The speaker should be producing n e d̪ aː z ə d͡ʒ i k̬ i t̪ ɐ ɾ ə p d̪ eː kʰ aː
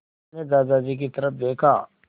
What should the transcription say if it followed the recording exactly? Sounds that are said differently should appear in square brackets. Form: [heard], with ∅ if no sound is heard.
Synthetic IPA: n e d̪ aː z [a] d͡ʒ i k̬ i t̪ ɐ ɾ ə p d̪ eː kʰ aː